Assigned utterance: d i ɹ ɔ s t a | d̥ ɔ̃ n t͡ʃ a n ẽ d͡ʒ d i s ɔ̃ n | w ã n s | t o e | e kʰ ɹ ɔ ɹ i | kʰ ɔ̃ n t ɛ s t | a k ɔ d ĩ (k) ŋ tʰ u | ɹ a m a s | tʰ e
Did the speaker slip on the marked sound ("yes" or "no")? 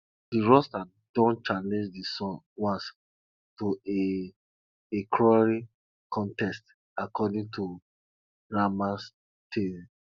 yes